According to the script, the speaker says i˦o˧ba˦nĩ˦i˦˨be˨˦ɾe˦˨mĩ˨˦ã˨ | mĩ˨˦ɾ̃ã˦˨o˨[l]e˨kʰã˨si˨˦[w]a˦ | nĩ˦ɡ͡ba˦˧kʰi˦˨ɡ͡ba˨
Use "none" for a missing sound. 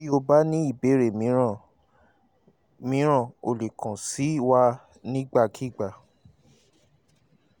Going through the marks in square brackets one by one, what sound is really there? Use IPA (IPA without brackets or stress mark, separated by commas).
l, w